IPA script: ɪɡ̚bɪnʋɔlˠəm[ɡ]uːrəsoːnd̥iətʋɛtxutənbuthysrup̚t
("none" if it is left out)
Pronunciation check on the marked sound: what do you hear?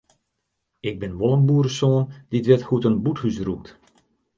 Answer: b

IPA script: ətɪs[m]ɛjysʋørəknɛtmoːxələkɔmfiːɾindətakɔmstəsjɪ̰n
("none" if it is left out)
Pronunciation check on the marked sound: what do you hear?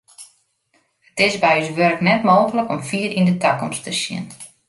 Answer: b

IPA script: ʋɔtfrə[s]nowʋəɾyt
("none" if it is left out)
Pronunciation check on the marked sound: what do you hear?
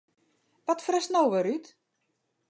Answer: s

